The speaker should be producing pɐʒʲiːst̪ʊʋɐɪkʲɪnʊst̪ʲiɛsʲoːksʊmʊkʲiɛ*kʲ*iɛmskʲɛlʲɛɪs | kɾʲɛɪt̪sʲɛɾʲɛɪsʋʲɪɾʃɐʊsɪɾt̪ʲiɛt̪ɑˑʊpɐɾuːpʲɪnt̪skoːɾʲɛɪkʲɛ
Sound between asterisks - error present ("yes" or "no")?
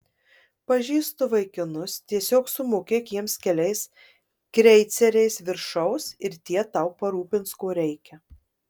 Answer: no